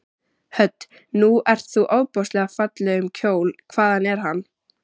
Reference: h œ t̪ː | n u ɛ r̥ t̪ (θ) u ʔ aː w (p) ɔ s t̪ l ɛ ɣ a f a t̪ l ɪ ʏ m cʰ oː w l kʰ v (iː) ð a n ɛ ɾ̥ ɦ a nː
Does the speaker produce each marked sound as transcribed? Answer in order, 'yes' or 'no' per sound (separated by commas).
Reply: yes, yes, no